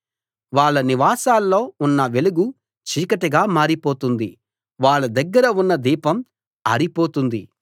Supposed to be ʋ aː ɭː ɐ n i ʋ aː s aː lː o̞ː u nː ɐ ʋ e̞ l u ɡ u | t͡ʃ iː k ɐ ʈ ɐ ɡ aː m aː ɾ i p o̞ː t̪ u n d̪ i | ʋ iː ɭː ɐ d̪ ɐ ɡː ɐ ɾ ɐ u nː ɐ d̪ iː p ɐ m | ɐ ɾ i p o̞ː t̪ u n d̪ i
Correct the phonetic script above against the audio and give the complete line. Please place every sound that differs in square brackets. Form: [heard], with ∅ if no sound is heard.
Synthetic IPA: ʋ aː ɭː ɐ n i ʋ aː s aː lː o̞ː u nː ɐ ʋ e̞ l u ɡ u | t͡ʃ iː k ɐ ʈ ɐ ɡ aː m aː ɾ i p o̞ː t̪ u n d̪ i | ʋ [aː] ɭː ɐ d̪ ɐ ɡː ɐ ɾ ɐ u nː ɐ d̪ iː p ɐ m | ɐ ɾ i p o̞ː t̪ u n d̪ i